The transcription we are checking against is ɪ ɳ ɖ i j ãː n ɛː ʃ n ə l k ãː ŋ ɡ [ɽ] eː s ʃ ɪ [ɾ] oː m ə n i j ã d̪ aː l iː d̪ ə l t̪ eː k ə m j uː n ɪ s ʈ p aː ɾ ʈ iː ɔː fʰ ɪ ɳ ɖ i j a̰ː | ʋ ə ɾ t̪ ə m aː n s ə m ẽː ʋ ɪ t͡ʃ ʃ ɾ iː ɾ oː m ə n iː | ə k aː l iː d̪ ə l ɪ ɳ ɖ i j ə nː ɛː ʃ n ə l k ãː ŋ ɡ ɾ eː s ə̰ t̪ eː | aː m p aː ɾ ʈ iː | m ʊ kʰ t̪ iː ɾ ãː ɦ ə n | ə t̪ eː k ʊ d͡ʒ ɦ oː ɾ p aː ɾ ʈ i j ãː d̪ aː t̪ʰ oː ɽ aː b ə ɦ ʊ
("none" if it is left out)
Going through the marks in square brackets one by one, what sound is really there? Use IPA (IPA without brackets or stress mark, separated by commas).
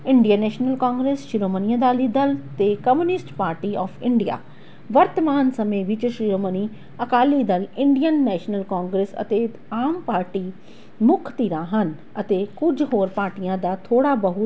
ɾ, ɾ